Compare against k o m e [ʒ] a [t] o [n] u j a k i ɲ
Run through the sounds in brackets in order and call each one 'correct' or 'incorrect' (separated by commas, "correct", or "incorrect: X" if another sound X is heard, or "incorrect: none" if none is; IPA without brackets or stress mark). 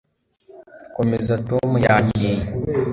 incorrect: z, correct, incorrect: m